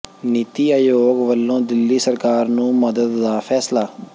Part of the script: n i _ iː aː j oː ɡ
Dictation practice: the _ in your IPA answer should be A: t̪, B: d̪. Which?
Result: A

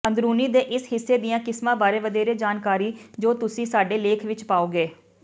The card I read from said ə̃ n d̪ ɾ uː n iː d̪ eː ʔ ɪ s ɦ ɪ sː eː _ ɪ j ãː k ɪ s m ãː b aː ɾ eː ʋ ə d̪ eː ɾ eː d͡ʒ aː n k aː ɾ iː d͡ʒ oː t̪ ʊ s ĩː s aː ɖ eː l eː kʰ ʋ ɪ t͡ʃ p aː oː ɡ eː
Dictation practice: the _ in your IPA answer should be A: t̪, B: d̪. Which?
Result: B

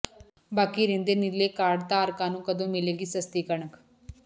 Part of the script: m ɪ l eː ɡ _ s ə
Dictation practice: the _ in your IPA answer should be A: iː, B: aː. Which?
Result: A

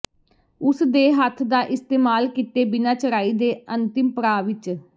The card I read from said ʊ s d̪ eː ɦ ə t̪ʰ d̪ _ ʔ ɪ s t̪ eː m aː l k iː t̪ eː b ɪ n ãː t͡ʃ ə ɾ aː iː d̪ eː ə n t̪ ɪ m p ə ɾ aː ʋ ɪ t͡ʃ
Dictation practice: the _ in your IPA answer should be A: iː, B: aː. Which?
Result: B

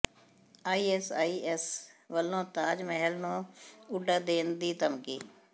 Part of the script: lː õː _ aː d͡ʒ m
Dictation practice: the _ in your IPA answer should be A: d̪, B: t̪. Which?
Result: B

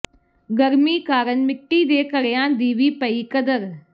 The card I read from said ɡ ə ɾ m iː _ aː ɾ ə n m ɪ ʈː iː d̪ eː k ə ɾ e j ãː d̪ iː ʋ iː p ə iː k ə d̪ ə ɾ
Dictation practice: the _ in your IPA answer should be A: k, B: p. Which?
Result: A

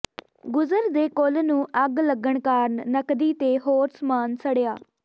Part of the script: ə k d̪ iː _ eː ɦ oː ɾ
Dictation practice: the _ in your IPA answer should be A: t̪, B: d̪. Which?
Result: A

